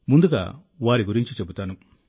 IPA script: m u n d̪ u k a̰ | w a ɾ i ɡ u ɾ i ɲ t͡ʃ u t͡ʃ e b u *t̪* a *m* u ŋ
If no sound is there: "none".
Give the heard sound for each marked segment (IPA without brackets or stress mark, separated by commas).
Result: t̪, n